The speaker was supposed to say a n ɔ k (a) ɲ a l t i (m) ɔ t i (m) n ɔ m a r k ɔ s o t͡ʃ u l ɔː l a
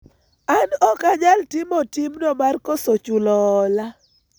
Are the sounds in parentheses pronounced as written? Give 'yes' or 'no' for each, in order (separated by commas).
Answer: yes, yes, yes